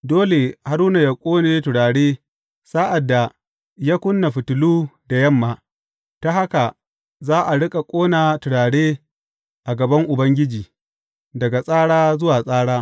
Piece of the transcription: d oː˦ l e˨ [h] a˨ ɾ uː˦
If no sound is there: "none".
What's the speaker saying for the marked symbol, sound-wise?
h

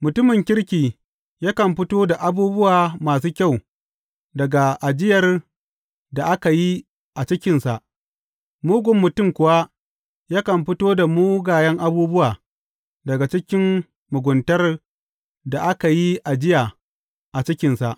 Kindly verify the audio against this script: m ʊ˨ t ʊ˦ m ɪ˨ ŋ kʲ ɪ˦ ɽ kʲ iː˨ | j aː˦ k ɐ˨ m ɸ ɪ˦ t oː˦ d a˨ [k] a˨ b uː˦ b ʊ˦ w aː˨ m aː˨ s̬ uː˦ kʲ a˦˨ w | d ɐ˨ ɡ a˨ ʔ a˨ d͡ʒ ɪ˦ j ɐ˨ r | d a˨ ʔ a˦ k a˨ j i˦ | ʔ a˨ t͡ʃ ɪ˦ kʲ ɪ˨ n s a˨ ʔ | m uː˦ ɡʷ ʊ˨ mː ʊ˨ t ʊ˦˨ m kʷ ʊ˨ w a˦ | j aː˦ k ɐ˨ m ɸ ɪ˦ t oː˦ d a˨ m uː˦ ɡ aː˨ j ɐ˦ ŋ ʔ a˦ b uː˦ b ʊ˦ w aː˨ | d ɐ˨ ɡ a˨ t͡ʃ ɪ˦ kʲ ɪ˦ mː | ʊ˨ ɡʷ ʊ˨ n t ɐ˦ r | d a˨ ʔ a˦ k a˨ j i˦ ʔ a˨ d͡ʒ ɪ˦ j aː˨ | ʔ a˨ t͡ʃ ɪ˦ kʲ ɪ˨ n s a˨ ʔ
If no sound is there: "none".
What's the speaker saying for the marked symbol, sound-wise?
ʔ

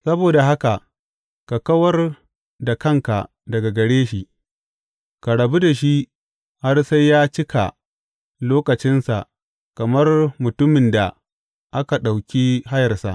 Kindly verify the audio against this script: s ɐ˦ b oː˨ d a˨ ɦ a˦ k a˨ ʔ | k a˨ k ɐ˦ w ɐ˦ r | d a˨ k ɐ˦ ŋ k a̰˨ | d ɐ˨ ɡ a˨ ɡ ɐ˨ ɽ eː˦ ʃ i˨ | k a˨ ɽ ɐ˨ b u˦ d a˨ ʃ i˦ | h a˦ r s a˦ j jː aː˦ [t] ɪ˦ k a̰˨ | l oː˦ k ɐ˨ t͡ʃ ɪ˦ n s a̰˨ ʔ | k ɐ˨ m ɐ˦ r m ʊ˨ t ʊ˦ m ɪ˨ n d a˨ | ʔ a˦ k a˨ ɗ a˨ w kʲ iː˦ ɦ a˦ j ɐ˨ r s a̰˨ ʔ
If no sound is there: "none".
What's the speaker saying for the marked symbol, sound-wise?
t͡ʃ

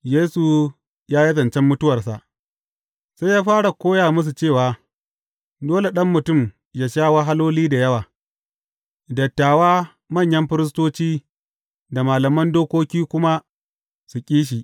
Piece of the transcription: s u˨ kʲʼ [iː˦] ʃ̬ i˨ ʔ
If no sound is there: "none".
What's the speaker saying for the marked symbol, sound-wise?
iː˦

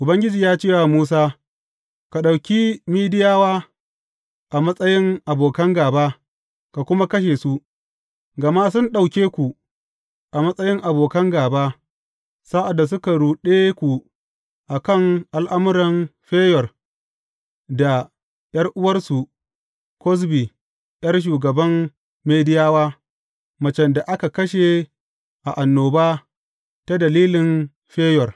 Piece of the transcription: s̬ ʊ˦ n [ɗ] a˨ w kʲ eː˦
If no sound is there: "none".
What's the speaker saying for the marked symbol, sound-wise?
ɗ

